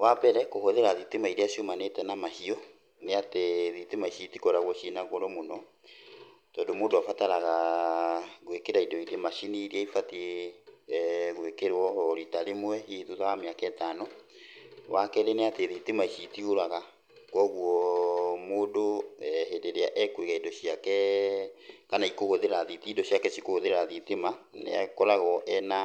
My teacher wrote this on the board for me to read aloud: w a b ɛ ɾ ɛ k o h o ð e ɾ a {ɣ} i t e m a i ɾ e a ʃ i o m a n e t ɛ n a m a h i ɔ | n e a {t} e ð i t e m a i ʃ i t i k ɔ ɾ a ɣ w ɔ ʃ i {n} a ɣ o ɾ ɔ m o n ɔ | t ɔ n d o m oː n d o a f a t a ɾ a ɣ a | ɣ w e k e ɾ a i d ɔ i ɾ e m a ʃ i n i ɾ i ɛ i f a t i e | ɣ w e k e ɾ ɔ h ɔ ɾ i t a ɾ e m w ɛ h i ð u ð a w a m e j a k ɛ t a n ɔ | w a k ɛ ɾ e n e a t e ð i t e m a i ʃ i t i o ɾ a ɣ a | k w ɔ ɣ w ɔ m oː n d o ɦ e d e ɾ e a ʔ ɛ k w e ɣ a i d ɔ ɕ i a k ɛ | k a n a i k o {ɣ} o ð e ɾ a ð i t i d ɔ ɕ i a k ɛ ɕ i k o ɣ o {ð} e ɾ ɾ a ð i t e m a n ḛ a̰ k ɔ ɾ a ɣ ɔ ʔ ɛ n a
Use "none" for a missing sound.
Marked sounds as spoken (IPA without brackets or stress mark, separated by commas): ð, t, n, ɣ, ð